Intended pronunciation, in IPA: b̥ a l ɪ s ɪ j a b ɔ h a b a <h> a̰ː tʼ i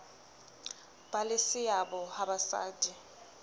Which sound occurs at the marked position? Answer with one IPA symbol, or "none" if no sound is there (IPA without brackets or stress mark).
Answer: s